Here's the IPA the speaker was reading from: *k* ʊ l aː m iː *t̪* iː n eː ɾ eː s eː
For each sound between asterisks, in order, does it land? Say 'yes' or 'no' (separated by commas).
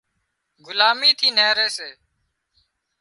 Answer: no, no